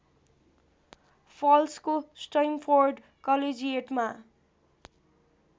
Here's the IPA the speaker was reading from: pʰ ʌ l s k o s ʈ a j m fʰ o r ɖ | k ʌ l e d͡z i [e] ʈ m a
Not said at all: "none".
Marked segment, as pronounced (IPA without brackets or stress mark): e